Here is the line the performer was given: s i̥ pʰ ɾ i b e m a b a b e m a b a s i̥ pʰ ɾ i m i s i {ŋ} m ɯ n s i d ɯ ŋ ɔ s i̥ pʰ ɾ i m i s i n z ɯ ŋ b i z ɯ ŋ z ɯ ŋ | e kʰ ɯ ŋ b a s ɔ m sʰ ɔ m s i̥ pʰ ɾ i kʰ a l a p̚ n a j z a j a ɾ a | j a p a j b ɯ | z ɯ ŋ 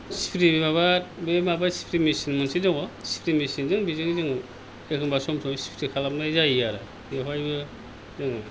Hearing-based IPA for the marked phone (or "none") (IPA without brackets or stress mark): n